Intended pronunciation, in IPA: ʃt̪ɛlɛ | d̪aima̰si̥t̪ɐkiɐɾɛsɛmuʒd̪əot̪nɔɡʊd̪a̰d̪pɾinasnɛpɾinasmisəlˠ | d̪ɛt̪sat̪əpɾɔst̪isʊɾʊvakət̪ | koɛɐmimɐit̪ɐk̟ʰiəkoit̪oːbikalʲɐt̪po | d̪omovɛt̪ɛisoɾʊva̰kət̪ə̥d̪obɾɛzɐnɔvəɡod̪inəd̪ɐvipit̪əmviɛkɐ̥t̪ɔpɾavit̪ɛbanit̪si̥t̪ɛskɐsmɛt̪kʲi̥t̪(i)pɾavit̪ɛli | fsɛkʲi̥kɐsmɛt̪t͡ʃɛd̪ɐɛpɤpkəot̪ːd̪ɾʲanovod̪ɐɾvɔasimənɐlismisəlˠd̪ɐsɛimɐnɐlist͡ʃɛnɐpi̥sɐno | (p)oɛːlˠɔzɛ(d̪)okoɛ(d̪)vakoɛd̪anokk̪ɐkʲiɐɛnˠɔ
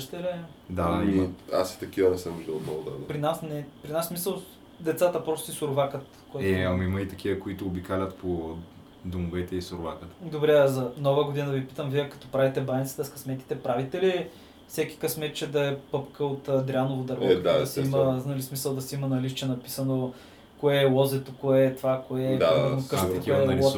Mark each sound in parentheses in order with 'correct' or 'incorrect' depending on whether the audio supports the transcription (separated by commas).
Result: incorrect, incorrect, incorrect, incorrect